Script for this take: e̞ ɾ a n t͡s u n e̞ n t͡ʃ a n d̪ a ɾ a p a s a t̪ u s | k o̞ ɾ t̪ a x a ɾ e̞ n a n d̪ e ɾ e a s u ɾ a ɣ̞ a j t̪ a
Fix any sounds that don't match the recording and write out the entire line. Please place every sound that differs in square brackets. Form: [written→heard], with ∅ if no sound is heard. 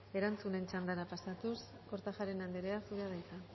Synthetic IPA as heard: e̞ ɾ a n t͡s u n e̞ n t͡ʃ a n d̪ a ɾ a p a s a t̪ u s | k o̞ ɾ t̪ a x a ɾ e̞ n a n d̪ e ɾ e a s u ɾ a [ɣ̞→ð̞] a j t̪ a